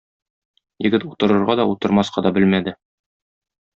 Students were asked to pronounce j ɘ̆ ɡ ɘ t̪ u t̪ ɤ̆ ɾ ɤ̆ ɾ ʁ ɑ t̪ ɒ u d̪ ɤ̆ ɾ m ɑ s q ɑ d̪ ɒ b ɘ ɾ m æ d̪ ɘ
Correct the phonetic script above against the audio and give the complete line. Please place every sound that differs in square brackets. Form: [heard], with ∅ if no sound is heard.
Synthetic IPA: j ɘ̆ ɡ ɘ t̪ u t̪ ɤ̆ ɾ ɤ̆ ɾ ʁ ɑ [d̪] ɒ u [t̪] ɤ̆ ɾ m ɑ s q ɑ d̪ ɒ b ɘ [l] m æ d̪ ɘ